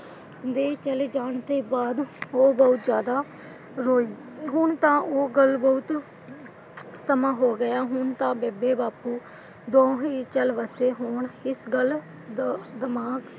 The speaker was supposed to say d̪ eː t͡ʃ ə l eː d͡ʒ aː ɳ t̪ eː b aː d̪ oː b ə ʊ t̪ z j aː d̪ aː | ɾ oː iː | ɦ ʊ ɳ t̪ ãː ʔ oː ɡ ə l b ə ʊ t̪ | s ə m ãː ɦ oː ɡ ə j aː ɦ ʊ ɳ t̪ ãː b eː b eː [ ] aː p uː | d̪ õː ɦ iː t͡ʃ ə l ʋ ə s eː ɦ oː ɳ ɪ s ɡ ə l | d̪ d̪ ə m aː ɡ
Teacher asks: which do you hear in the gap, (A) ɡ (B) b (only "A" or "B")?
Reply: B